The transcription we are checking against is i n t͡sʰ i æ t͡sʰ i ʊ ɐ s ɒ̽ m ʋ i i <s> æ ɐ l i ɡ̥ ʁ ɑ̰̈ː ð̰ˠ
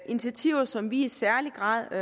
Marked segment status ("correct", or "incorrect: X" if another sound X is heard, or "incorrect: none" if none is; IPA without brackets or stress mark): correct